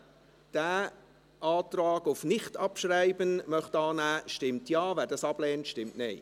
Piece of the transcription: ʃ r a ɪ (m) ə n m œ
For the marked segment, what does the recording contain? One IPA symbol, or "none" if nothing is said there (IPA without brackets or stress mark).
b